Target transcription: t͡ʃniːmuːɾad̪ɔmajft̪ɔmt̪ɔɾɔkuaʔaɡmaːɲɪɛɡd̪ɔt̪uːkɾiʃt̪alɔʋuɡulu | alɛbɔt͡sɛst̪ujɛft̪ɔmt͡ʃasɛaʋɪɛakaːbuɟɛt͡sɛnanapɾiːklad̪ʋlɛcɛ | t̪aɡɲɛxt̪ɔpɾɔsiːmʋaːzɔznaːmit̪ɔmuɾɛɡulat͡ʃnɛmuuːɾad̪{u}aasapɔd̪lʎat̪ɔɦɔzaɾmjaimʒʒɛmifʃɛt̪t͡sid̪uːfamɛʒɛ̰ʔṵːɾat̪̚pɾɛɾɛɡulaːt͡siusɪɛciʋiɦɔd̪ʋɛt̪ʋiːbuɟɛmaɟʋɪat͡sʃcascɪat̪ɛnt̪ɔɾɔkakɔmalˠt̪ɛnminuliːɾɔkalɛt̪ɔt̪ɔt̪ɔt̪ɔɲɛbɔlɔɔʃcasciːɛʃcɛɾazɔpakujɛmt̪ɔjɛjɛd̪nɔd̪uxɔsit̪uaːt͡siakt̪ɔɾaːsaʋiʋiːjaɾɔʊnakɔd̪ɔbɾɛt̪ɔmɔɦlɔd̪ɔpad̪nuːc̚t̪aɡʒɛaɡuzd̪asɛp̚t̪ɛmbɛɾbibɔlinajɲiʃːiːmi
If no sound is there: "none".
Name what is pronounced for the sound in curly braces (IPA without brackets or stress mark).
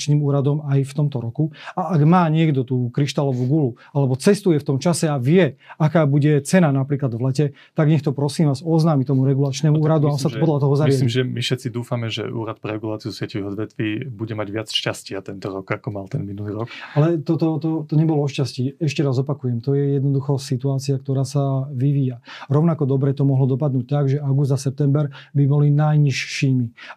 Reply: u